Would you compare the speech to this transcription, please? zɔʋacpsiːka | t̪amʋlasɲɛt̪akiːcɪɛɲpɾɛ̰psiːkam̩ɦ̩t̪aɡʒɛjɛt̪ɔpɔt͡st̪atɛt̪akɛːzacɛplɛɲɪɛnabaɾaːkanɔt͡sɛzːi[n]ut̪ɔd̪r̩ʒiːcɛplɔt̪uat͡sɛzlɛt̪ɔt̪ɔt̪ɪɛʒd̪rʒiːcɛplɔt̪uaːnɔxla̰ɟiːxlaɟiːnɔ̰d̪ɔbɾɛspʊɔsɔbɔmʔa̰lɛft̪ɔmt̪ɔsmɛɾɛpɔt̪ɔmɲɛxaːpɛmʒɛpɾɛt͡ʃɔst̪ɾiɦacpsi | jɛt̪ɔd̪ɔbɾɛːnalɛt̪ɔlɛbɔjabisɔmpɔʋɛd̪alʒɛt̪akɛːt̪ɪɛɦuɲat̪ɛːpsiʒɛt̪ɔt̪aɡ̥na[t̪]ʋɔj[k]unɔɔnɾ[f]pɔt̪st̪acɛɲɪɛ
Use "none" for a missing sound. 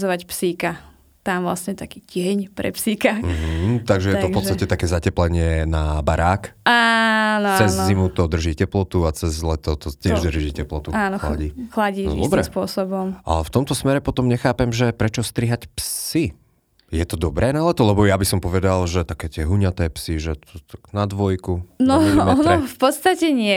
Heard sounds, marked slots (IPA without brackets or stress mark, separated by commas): m, d̪, k, f